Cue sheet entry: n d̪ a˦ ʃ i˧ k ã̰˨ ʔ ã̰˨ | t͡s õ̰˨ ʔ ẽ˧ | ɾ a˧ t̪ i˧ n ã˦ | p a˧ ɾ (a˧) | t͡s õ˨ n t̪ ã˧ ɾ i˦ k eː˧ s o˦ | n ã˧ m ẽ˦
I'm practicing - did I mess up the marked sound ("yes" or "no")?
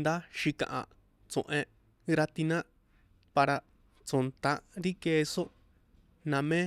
no